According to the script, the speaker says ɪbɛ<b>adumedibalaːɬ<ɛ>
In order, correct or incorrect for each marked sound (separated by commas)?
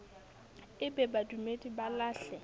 correct, correct